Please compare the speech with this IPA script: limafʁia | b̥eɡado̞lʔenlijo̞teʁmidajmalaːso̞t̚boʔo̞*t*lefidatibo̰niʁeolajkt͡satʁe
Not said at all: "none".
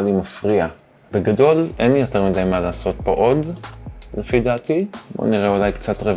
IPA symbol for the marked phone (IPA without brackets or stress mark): d